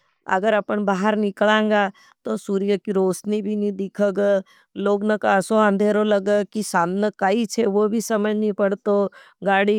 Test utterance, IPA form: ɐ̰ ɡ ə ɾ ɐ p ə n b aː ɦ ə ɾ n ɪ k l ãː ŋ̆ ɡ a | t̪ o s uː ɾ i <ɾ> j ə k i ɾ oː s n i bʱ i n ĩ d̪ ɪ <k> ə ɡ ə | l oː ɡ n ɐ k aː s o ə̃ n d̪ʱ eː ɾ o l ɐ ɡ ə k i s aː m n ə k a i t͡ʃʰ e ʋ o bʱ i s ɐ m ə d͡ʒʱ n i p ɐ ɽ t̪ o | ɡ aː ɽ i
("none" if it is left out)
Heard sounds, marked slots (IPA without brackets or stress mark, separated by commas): none, kʰ